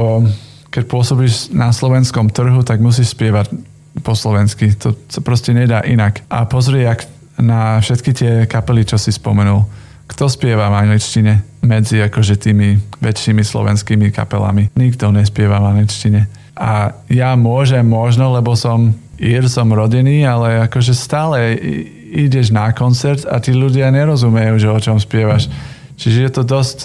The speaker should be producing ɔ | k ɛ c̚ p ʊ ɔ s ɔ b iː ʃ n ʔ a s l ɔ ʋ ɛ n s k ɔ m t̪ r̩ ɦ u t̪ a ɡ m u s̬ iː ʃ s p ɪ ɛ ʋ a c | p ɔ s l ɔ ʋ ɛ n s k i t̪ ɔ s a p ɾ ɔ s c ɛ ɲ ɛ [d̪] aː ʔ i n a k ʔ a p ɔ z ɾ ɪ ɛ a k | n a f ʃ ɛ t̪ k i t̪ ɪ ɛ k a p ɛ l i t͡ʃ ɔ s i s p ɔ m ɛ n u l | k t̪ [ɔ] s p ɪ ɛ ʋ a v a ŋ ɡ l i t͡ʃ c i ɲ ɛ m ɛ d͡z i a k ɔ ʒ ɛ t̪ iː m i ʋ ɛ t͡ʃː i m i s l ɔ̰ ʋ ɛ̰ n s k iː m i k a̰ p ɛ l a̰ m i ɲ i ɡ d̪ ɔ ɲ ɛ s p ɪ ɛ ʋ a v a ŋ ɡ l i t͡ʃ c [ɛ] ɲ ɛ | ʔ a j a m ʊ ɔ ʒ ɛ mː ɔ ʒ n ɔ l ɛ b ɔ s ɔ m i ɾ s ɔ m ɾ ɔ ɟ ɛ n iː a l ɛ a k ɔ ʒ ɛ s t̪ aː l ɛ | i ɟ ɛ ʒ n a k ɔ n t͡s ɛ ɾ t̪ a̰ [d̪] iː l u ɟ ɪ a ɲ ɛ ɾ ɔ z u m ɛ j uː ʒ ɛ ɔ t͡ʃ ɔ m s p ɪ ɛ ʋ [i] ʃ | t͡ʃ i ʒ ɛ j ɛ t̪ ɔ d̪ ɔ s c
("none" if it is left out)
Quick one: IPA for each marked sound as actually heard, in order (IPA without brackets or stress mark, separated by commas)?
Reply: d̪, ɔ, i, t̪, a